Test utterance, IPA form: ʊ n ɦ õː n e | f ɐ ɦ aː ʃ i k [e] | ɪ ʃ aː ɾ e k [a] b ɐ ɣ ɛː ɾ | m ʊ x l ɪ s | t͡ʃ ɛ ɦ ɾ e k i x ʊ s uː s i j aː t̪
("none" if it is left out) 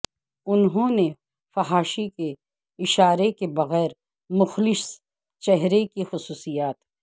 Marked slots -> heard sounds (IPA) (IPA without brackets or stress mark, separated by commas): e, e